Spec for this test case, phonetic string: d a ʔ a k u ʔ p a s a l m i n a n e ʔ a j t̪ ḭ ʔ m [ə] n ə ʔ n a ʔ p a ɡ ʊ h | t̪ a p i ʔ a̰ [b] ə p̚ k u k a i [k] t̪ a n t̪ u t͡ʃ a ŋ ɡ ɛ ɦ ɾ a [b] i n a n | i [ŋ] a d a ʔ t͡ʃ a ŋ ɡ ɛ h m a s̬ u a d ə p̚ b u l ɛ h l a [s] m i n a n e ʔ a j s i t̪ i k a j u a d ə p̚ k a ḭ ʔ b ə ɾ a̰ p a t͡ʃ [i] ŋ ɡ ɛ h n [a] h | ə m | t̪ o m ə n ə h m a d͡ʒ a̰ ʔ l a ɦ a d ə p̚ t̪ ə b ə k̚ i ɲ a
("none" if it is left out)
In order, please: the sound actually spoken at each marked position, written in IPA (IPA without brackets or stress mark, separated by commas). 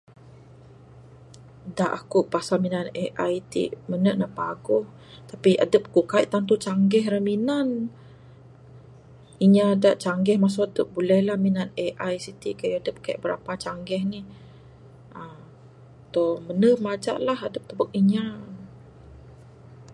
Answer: ə, d, ʔ, m, ɲ, h, a, i